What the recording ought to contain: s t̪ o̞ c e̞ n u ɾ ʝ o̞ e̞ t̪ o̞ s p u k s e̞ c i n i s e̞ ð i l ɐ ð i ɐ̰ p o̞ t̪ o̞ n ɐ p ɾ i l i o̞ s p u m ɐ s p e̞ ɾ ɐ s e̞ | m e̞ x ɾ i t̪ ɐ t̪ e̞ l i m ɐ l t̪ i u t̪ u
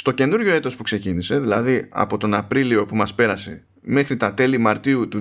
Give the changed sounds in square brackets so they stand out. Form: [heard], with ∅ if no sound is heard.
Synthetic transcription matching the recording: s t̪ o̞ c e̞ n u ɾ ʝ o̞ e̞ t̪ o̞ s p u k s e̞ c i n i s e̞ ð i l ɐ ð i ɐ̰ p o̞ t̪ o̞ n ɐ p ɾ i l i o̞ [∅] p u m ɐ s p e̞ ɾ ɐ s e̞ | m e̞ x ɾ i t̪ ɐ t̪ e̞ l i m ɐ [ɾ] t̪ i u t̪ u